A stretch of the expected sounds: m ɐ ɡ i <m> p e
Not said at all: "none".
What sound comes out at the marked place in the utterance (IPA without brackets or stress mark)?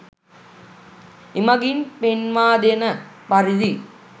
n